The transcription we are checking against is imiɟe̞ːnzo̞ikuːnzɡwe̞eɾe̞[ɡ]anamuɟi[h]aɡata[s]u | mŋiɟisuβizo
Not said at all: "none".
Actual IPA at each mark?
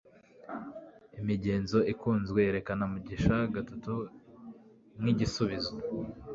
k, ʃ, t

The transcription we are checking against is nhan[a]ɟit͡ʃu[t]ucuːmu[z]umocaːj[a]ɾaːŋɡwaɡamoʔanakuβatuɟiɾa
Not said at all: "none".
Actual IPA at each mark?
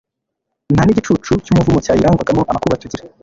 i, t͡ʃ, v, i

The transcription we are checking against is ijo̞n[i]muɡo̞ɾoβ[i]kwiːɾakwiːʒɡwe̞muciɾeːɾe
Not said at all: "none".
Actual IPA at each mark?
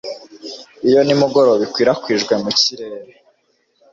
i, i

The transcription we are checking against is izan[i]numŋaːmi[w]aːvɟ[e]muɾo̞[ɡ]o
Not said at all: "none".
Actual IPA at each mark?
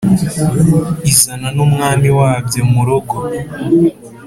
a, w, e, ɡ

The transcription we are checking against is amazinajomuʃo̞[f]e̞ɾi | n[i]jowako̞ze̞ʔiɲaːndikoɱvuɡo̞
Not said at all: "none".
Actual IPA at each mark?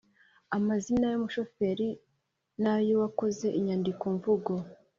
f, a

